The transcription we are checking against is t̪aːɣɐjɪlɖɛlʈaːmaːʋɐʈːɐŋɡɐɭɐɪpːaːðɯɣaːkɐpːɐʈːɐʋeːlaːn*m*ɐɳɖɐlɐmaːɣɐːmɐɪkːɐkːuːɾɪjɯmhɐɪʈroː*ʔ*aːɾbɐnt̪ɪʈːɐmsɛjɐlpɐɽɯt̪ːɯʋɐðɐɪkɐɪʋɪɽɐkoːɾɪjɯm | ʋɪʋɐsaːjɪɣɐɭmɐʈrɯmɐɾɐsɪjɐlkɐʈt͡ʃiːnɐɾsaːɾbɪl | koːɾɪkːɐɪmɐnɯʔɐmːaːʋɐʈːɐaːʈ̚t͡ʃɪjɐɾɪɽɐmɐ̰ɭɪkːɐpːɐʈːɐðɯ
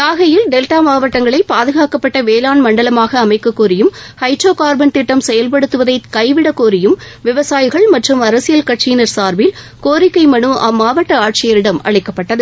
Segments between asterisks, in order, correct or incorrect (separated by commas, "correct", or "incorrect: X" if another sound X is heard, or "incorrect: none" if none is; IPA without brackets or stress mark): correct, incorrect: k